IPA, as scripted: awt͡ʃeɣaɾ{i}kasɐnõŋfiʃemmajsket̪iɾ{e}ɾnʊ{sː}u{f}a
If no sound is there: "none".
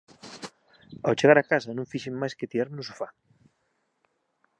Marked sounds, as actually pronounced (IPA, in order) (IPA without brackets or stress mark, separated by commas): a, a, s, f